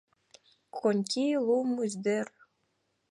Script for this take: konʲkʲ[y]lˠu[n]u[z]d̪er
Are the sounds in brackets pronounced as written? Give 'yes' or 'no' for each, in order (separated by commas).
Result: no, no, yes